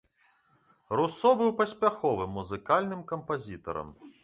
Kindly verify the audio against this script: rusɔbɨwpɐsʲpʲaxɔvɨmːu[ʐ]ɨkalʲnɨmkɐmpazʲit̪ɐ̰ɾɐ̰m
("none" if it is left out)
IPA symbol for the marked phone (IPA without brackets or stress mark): z